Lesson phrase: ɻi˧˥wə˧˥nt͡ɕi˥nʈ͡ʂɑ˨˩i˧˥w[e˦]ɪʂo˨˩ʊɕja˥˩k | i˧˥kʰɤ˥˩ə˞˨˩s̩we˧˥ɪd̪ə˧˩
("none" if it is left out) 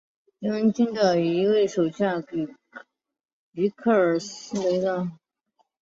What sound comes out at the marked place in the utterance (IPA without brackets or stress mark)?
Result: e˥˩